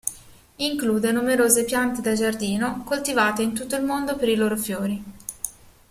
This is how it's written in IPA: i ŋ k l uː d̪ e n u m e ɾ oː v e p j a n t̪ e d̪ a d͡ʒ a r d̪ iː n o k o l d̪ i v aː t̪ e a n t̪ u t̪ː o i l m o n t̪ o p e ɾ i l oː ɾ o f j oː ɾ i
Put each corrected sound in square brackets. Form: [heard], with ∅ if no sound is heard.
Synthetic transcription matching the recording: i ŋ k l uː d̪ e n u m e ɾ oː [z] e p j a n t̪ e d̪ a d͡ʒ a r d̪ iː n o k o l [t̪] i v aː t̪ e [i] n t̪ u t̪ː o i l m o n [d̪] o p e ɾ i l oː ɾ o f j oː ɾ i